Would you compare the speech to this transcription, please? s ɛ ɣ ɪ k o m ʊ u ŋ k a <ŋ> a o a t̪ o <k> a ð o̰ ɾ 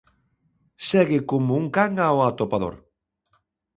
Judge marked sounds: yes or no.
yes, no

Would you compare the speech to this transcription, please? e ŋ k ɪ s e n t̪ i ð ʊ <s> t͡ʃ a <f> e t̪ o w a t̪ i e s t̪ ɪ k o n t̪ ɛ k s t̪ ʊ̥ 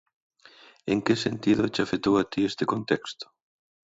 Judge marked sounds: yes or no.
no, yes

